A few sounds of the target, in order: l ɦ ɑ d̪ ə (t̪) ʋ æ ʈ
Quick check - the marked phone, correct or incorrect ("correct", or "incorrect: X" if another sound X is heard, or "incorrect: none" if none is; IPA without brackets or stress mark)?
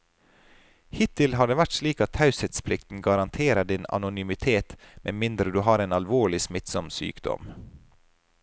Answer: incorrect: none